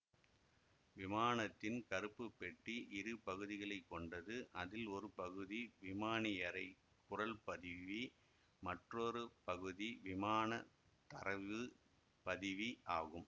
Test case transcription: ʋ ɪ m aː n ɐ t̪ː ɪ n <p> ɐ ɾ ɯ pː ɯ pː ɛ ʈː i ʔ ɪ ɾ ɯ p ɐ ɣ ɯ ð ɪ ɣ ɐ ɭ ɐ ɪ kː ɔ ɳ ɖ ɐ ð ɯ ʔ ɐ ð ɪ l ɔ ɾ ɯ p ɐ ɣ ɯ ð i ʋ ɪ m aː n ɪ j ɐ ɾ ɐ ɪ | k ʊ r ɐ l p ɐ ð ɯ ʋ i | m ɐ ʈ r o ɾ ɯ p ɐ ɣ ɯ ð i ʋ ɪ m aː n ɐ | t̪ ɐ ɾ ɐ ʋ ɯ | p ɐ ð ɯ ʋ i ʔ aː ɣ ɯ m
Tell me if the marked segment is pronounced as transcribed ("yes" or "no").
no